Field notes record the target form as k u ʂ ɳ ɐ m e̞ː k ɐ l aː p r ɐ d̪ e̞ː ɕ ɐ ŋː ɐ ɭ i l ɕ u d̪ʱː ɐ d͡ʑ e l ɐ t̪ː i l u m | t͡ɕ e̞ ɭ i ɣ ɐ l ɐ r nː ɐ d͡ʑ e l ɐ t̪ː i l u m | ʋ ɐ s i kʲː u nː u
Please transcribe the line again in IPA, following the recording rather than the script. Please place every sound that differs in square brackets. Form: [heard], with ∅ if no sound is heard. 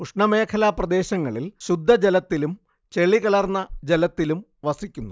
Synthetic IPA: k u ʂ ɳ ɐ m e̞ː [kʰ] ɐ l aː p r ɐ d̪ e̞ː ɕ ɐ ŋː ɐ ɭ i l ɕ u d̪ʱː ɐ d͡ʑ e l ɐ t̪ː i l u m | t͡ɕ e̞ ɭ i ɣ ɐ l ɐ r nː ɐ d͡ʑ e l ɐ t̪ː i l u m | ʋ ɐ s i kʲː u nː u